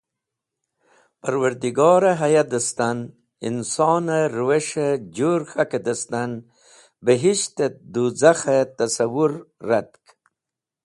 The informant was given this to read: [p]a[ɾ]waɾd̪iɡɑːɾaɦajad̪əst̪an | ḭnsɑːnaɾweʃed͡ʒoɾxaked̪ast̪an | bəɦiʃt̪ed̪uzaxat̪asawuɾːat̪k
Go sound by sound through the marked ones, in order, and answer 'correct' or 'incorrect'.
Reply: correct, correct

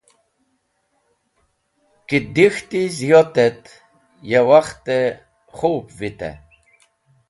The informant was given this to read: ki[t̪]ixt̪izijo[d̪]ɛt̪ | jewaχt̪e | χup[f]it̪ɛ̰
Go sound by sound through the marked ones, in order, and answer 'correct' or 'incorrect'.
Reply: incorrect: d̪, incorrect: t̪, incorrect: v

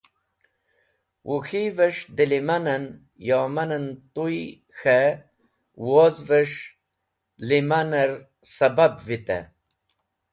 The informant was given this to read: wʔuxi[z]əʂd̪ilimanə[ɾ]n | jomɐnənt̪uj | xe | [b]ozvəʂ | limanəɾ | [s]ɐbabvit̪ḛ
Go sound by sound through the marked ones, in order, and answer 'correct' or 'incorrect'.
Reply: incorrect: v, incorrect: none, incorrect: w, correct

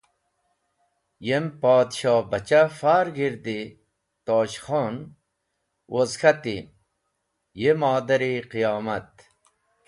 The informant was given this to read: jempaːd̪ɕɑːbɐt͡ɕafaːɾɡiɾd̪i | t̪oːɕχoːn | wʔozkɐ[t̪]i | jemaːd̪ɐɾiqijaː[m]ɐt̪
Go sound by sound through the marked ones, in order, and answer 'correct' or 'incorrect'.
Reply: correct, correct

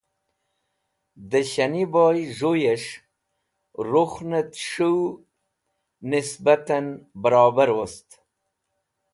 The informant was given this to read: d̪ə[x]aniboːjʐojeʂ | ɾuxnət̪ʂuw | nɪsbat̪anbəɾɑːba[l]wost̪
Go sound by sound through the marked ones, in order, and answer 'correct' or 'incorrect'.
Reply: incorrect: ɕ, incorrect: ɾ

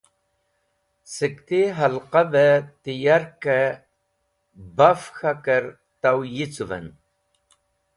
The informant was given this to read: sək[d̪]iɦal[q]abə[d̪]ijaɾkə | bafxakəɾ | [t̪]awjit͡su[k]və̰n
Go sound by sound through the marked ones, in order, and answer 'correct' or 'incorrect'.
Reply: incorrect: t̪, correct, incorrect: t̪, correct, incorrect: none

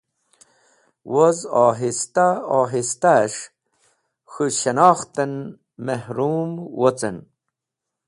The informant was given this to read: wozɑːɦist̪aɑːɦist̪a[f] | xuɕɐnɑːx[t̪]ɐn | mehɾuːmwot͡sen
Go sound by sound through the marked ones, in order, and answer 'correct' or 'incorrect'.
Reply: incorrect: ʂ, correct

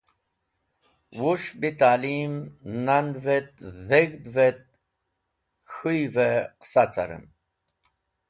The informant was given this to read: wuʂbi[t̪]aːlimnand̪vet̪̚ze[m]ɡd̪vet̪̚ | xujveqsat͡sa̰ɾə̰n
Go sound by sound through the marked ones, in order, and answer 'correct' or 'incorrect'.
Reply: correct, incorrect: none

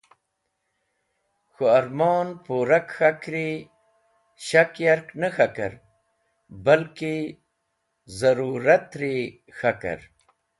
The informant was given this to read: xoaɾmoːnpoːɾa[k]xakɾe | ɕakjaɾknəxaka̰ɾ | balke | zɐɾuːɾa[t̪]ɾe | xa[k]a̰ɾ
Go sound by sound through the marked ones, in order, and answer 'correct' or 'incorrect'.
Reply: correct, correct, correct

